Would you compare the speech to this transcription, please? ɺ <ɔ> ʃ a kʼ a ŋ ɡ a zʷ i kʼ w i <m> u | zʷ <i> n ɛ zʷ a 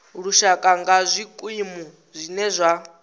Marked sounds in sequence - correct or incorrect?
incorrect: u, correct, correct

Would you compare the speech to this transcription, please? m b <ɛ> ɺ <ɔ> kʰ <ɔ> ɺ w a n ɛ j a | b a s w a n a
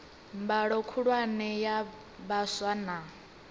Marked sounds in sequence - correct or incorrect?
incorrect: a, correct, incorrect: u

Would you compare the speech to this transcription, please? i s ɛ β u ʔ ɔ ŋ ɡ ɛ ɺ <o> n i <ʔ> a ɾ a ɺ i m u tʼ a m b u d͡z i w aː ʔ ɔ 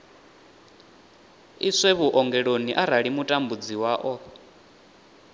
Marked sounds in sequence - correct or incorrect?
correct, correct

